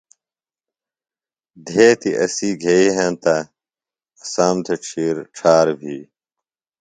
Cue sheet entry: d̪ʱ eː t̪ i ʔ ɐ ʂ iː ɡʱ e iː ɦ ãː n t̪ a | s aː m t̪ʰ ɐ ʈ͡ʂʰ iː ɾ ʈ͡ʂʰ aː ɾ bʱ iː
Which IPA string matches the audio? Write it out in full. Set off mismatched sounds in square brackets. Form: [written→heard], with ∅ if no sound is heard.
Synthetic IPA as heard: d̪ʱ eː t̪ i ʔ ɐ [ʂ→s] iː ɡʱ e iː ɦ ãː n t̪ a | s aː m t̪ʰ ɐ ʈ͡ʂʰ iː ɾ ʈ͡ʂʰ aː ɾ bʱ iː